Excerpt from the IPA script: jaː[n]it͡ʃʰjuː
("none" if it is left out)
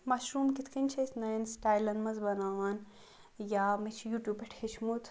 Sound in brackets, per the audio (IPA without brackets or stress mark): m